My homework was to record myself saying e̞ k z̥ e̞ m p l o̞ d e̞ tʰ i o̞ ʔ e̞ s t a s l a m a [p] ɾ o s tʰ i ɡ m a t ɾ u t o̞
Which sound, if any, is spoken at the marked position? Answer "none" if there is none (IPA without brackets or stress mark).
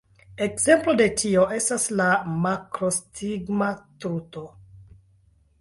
k